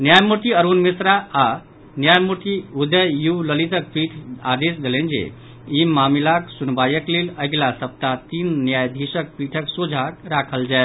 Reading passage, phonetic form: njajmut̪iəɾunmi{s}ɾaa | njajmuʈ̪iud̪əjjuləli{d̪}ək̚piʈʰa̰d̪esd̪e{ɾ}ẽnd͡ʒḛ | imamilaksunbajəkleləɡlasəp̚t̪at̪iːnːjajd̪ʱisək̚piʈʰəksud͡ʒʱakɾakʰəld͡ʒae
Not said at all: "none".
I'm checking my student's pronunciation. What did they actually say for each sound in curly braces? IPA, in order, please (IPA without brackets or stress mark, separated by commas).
s, t̪, l